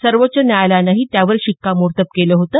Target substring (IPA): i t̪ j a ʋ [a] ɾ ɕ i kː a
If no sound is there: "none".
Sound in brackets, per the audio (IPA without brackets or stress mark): ə